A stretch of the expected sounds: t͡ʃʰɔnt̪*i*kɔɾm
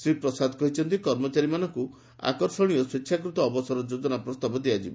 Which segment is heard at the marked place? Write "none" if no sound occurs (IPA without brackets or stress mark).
i